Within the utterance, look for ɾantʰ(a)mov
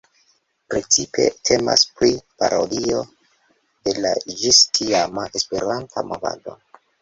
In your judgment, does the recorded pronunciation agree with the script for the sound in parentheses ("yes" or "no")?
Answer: yes